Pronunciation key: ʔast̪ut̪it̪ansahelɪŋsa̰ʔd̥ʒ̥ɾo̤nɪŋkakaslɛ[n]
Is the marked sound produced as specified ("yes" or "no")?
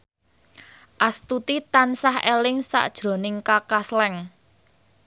no